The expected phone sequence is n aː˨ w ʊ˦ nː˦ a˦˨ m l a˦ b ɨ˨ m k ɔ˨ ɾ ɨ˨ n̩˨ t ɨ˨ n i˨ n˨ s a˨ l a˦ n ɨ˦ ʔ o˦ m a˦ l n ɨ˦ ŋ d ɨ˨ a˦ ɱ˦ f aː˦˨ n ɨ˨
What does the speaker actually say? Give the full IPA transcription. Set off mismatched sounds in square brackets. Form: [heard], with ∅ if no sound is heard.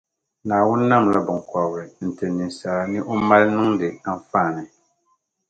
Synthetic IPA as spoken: n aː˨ w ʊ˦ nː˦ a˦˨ m l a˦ b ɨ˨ [ŋ] k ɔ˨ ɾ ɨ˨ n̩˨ t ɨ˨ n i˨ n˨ s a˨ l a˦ n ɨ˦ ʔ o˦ m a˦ l n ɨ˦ ŋ d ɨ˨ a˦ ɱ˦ f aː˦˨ n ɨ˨